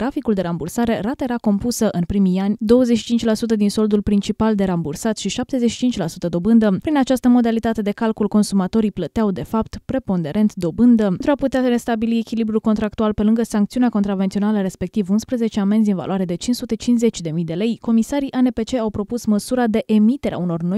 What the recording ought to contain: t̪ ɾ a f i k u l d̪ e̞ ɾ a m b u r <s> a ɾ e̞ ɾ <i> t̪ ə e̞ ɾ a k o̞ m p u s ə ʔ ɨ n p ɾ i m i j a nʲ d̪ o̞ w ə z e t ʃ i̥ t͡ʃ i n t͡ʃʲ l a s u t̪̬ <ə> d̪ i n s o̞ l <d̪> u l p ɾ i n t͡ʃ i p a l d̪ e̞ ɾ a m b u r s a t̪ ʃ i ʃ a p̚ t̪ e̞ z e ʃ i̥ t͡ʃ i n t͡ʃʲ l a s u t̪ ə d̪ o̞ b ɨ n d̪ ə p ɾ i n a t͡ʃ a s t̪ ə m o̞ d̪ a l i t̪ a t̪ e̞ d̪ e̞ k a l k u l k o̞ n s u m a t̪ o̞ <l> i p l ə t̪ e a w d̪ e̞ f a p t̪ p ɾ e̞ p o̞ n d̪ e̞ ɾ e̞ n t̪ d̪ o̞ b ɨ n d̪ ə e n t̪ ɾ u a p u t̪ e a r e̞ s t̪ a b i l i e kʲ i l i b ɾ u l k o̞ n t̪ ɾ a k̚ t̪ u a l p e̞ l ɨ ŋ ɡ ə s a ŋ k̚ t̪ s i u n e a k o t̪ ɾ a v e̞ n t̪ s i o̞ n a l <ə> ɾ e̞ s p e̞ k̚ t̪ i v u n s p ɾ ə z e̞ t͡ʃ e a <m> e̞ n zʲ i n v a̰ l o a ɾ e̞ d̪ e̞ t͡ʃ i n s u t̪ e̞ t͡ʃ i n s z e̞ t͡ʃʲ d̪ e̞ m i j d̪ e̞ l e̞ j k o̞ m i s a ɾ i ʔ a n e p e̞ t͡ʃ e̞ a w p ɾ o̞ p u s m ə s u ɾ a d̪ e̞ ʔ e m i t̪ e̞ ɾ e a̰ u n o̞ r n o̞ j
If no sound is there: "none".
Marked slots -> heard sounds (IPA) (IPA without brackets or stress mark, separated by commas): s, a, ə, d̪, ɾ, ə, m